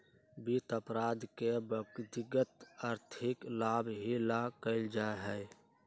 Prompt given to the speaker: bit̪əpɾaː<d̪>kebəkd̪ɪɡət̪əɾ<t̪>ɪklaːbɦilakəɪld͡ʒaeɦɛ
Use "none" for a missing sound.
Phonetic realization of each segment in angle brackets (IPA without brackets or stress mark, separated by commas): d̪, t̪ʰ